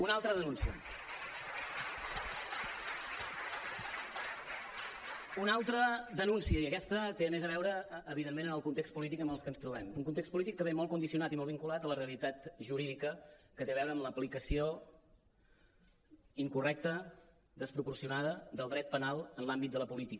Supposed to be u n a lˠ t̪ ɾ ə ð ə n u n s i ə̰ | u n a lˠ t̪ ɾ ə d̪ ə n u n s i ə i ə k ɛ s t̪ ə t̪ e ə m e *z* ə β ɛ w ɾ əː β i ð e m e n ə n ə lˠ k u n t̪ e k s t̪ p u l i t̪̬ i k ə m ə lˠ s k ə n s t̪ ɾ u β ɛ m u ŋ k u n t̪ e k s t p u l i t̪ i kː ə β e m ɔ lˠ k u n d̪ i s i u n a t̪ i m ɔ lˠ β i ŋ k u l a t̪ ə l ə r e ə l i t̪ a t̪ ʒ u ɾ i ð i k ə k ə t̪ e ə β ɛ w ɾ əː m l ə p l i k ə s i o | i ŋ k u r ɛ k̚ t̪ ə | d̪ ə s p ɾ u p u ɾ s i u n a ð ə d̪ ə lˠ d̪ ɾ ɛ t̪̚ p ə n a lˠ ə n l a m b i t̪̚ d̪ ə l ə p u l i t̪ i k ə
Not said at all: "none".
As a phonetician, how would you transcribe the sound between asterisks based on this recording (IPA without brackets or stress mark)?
z